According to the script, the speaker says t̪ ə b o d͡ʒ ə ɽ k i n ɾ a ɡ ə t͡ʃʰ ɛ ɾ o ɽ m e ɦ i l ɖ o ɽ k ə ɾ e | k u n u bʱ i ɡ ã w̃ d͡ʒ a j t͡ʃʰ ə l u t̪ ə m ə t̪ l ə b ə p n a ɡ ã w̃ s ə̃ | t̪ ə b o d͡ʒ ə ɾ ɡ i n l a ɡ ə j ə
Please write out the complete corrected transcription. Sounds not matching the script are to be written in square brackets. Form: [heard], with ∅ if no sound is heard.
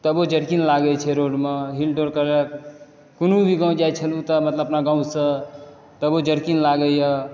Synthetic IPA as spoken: t̪ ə b o d͡ʒ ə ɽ k i n [l] a ɡ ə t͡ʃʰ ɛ ɾ o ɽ m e ɦ i l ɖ o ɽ k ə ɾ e | k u n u bʱ i ɡ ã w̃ d͡ʒ a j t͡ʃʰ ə l u t̪ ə m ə t̪ l ə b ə p n a ɡ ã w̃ s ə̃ | t̪ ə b o d͡ʒ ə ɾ [k] i n l a ɡ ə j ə

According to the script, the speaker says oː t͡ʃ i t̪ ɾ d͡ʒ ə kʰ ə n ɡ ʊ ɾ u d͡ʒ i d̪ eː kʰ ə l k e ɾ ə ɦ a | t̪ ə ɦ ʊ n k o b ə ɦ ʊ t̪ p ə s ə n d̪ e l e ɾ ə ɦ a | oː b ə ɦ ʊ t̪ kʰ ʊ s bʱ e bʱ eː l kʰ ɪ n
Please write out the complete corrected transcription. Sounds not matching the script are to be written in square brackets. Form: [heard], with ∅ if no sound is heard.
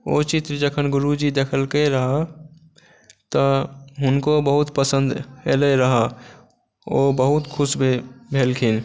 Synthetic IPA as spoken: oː t͡ʃ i t̪ ɾ d͡ʒ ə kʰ ə n ɡ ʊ ɾ u d͡ʒ i d̪ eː kʰ ə l k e ɾ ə ɦ a | t̪ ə ɦ ʊ n k o b ə ɦ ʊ t̪ p ə s ə n d̪ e l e ɾ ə ɦ a | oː b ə ɦ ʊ t̪ kʰ ʊ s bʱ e bʱ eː l kʰ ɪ n

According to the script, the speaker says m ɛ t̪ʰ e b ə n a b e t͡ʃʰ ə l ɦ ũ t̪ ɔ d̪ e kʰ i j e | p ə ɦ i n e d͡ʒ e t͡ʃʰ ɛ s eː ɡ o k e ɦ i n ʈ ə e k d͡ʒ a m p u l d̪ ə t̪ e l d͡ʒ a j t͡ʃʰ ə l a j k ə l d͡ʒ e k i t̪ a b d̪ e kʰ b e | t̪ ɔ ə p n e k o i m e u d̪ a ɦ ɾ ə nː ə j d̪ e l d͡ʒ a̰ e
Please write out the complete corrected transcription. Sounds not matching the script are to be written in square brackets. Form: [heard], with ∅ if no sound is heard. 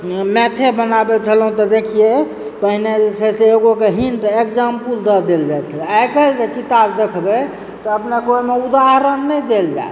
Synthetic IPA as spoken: m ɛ t̪ʰ e b ə n a b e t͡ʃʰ ə l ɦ ũ t̪ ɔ d̪ e kʰ i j e | p ə ɦ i n e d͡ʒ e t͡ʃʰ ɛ s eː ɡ o k e ɦ i n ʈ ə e k d͡ʒ a m p u l d̪ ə [d̪] e l d͡ʒ a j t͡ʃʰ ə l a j k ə l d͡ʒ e k i t̪ a b d̪ e kʰ b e | t̪ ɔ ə p n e k o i m e u d̪ a ɦ ɾ ə nː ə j d̪ e l d͡ʒ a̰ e

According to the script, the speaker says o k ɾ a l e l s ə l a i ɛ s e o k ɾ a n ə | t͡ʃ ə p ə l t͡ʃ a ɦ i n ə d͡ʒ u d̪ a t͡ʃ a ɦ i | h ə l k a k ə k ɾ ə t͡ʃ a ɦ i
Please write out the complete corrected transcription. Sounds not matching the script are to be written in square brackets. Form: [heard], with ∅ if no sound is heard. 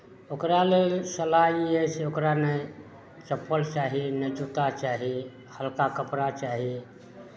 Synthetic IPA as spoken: o k ɾ a l e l s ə l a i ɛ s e o k ɾ a n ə | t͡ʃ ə p ə l t͡ʃ a ɦ i n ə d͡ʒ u [t̪] a t͡ʃ a ɦ i | h ə l k a k ə [p] ɾ [a] t͡ʃ a ɦ i

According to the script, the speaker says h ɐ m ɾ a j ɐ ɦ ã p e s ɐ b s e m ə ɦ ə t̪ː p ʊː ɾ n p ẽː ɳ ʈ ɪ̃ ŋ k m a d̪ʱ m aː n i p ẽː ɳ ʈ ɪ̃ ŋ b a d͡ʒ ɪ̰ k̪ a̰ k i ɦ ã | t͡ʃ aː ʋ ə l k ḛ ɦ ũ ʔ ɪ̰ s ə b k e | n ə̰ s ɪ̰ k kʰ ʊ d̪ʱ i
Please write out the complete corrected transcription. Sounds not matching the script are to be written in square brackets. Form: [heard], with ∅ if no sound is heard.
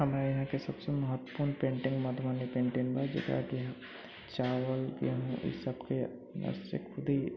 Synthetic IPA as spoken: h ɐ m ɾ a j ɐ ɦ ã [k] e s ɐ b s e m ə ɦ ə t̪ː p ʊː ɾ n p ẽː ɳ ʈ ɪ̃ ŋ [ɡ] m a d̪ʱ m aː n i p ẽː ɳ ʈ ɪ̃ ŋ b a d͡ʒ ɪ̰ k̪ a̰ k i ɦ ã | t͡ʃ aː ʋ ə l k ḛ ɦ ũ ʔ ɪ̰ s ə b k e | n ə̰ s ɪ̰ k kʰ ʊ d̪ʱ i

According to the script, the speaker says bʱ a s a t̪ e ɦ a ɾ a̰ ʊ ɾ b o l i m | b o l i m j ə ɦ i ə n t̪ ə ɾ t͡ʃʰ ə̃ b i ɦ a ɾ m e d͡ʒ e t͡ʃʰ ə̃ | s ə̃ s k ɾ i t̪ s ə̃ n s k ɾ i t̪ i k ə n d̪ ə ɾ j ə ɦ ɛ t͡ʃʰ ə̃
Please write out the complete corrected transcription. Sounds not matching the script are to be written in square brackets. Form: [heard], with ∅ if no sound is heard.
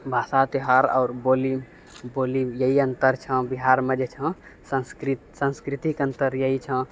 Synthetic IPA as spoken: bʱ a s a t̪ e ɦ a ɾ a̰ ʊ ɾ b o l i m | b o l i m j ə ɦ i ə n t̪ ə ɾ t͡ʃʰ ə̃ b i ɦ a ɾ m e d͡ʒ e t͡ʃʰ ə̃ | s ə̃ s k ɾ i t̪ s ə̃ n s k ɾ i t̪ i k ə n [t̪] ə ɾ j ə ɦ [i] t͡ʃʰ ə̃

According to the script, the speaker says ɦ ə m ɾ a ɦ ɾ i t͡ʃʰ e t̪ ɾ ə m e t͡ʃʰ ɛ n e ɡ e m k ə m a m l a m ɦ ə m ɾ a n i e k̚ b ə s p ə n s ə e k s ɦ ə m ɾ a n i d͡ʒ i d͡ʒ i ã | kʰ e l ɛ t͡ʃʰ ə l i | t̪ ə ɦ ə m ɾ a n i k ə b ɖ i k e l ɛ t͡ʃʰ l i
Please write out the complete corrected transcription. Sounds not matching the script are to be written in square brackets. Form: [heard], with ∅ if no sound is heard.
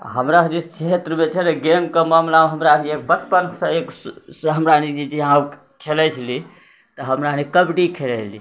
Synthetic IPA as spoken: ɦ ə m ɾ a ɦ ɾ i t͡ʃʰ e t̪ ɾ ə m e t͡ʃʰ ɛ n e ɡ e m k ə m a m l a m ɦ ə m ɾ a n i e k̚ b ə s p ə n s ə e k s ɦ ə m ɾ a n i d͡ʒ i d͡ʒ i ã | kʰ e l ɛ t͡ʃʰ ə l i | t̪ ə ɦ ə m ɾ a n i k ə b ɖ i [kʰ] e l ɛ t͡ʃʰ l i

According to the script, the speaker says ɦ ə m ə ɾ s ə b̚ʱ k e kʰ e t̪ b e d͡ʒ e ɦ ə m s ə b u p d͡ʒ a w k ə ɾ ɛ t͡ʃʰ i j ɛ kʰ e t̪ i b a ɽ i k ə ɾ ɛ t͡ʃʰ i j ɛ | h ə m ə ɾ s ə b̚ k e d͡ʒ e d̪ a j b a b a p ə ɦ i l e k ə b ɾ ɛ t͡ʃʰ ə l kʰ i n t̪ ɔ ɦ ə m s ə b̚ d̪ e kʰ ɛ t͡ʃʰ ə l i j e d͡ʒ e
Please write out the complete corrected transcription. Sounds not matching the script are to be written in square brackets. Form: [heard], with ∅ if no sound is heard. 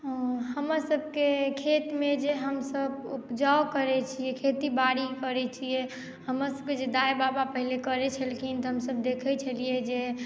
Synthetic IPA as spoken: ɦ ə m ə ɾ s ə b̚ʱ k e kʰ e t̪ [m] e d͡ʒ e ɦ ə m s ə b u p d͡ʒ a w k ə ɾ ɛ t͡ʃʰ i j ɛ kʰ e t̪ i b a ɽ i k ə ɾ ɛ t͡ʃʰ i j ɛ | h ə m ə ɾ s ə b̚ k e d͡ʒ e d̪ a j b a b a p ə ɦ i l e k ə [∅] ɾ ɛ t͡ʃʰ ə l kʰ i n t̪ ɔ ɦ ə m s ə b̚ d̪ e kʰ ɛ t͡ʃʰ ə l i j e d͡ʒ e

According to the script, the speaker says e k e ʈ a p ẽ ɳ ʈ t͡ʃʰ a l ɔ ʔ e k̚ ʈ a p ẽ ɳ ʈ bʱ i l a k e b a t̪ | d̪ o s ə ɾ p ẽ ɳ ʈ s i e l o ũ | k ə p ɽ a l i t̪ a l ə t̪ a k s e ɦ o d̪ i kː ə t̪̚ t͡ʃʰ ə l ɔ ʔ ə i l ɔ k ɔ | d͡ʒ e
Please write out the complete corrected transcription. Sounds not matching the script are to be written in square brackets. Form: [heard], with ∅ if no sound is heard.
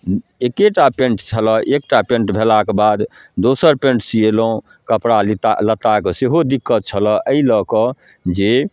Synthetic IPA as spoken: e k e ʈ a p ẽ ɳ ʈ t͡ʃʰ [ə] l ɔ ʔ e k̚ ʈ a p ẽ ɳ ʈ bʱ [e] l a k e b a [d̪] | d̪ o s ə ɾ p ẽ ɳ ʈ s i e l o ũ | k ə p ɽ a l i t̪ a l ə t̪ a k s e ɦ o d̪ i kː ə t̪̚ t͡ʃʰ ə l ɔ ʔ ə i l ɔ k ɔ | d͡ʒ e

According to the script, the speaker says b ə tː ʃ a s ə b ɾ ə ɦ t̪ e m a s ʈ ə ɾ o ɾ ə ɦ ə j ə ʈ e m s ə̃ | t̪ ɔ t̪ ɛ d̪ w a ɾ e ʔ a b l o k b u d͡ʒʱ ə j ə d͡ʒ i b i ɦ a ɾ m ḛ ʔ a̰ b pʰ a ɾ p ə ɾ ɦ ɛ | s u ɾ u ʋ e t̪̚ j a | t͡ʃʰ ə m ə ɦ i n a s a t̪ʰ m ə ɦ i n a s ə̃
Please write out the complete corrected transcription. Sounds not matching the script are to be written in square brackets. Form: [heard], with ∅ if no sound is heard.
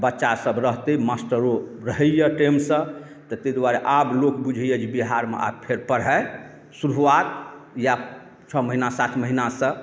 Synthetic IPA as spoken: b ə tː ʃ a s ə b ɾ ə ɦ t̪ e m a s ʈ ə ɾ o ɾ ə ɦ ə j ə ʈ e m s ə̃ | t̪ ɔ t̪ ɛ d̪ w a ɾ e ʔ a b l o k b u d͡ʒʱ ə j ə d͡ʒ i b i ɦ a ɾ m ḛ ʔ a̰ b pʰ [e] ɾ p ə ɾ ɦ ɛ | s u ɾ u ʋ [a] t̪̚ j a | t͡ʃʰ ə m ə ɦ i n a s a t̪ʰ m ə ɦ i n a s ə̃

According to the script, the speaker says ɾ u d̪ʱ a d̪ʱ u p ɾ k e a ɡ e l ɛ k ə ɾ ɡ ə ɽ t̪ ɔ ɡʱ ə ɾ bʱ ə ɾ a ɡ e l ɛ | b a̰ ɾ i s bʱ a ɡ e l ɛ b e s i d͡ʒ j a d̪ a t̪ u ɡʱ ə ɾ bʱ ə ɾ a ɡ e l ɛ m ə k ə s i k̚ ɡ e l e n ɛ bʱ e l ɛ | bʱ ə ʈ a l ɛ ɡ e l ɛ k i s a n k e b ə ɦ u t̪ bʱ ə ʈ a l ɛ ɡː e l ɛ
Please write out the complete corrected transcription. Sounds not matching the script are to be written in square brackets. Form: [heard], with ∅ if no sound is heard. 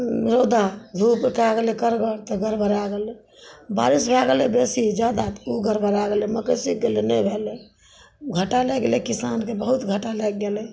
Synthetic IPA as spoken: ɾ [o] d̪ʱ a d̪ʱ u p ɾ k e a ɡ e l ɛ k ə ɾ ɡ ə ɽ t̪ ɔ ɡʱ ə ɾ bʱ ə ɾ a ɡ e l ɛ | b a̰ ɾ i s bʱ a ɡ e l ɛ b e s i d͡ʒ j a d̪ a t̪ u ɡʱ ə ɾ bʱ ə ɾ a ɡ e l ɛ m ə k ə s i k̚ ɡ e l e n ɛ bʱ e l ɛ | [ɡʱ] ə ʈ a l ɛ ɡ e l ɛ k i s a n k e b ə ɦ u t̪ [ɡʱ] ə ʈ a l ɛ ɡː e l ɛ

